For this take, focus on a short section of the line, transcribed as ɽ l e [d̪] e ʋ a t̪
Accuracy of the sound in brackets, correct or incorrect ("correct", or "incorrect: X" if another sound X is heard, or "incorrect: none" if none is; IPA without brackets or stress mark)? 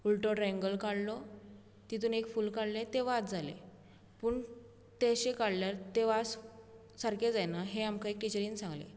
incorrect: t̪